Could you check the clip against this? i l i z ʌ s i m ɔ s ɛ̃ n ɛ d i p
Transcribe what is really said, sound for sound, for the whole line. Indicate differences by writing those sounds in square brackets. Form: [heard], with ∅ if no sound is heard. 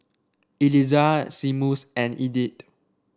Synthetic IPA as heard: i l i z [a] s i m [u] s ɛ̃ n [i] d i [t]